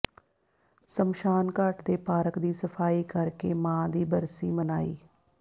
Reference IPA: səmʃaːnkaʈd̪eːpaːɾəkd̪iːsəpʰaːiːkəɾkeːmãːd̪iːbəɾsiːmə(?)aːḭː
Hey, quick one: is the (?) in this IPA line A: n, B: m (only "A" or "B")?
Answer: A